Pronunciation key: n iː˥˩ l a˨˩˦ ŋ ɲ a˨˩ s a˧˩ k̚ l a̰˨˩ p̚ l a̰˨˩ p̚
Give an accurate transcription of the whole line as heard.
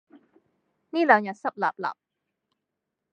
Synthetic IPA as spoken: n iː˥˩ l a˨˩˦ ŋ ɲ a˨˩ s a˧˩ p̚ l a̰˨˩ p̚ l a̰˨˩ p̚